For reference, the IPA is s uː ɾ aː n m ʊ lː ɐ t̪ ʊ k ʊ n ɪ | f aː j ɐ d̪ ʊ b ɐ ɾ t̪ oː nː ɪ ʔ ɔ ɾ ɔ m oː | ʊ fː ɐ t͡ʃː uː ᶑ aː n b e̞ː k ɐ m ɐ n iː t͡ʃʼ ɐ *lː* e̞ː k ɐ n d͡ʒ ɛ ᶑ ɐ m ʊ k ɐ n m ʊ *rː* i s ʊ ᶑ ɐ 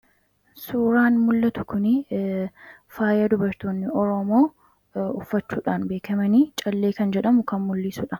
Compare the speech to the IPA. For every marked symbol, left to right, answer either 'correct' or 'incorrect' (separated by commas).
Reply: correct, incorrect